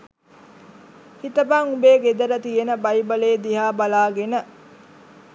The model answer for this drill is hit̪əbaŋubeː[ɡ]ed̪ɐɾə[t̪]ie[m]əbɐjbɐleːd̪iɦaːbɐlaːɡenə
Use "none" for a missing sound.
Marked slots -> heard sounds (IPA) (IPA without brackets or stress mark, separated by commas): ɡ, t̪, n